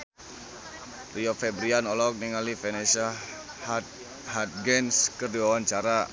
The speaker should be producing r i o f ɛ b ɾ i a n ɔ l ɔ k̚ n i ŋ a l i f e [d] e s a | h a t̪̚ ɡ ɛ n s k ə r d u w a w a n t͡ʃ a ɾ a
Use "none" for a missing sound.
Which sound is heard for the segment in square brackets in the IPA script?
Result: n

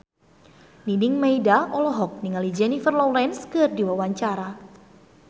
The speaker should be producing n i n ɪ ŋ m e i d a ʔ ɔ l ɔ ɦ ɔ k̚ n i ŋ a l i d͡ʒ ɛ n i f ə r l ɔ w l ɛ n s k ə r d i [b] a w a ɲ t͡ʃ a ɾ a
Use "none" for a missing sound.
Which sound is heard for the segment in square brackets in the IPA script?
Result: w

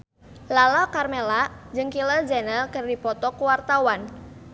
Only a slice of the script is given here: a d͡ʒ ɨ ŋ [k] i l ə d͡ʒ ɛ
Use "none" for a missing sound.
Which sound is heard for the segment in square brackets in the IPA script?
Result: k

